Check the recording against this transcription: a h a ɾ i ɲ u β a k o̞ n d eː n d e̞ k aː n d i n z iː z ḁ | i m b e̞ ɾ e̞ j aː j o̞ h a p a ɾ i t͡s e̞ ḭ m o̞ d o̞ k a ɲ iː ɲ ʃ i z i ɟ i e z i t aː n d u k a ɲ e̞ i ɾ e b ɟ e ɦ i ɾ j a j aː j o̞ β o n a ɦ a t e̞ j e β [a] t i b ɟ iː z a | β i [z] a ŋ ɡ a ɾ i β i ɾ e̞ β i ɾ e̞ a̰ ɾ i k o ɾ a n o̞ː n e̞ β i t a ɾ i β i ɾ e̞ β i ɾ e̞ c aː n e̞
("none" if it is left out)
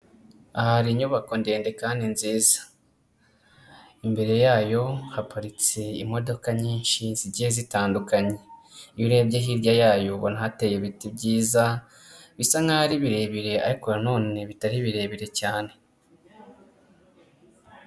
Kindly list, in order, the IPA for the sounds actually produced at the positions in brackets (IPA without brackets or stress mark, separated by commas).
i, s